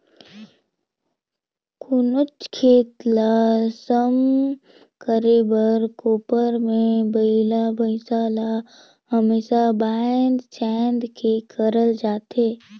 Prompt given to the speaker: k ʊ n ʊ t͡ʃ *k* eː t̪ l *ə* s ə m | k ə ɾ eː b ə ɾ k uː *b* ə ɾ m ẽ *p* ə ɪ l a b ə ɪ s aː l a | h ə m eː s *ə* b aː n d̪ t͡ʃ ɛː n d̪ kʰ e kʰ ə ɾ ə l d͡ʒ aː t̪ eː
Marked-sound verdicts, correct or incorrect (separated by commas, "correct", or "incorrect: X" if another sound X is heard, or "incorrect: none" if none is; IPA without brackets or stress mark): incorrect: kʰ, incorrect: a, incorrect: p, incorrect: b, incorrect: a